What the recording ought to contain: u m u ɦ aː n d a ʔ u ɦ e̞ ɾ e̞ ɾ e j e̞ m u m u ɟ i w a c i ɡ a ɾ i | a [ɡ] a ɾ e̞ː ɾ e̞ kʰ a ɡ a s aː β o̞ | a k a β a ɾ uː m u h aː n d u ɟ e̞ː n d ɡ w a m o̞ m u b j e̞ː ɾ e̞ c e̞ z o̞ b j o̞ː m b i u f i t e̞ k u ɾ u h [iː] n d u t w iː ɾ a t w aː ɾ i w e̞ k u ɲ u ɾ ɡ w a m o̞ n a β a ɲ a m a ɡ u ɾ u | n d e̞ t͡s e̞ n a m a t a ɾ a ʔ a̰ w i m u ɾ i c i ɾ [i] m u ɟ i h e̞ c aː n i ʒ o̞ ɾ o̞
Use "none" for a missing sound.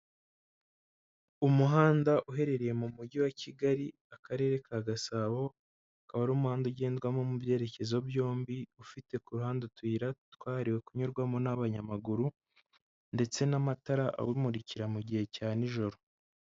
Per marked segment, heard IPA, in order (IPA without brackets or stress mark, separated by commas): k, aː, a